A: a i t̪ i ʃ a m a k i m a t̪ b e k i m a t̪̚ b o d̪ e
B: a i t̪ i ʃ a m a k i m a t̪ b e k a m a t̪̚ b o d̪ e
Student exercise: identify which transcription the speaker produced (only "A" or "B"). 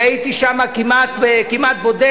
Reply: A